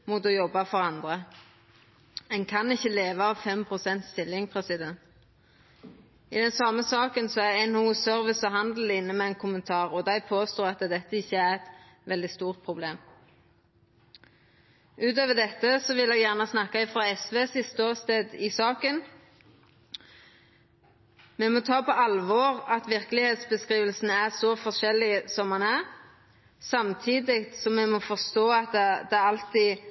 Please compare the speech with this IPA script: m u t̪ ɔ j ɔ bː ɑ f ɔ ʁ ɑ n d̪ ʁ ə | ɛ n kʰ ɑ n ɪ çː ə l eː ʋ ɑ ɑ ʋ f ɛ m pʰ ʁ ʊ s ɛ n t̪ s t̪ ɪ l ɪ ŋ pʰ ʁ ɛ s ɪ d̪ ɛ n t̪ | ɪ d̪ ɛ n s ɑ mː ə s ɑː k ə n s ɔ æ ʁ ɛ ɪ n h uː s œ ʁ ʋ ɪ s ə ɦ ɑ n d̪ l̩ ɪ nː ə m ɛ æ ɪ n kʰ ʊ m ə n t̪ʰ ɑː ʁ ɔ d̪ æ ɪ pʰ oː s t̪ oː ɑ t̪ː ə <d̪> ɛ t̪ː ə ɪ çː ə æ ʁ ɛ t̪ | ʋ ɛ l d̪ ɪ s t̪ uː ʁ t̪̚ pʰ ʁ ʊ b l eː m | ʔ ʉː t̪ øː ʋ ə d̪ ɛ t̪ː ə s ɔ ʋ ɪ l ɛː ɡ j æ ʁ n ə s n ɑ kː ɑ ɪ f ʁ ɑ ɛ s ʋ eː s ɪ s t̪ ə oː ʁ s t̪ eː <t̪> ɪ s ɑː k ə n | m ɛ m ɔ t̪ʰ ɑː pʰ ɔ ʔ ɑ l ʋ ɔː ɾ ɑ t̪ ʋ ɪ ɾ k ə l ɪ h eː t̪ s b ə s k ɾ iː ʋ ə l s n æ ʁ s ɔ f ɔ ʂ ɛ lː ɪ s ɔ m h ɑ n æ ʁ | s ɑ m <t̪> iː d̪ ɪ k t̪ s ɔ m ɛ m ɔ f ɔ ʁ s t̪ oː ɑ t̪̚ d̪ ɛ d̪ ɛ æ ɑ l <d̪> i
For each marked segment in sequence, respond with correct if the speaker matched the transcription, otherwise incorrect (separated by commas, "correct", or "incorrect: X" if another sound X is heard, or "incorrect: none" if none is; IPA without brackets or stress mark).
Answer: correct, incorrect: d̪, incorrect: t̪ʰ, incorrect: t̪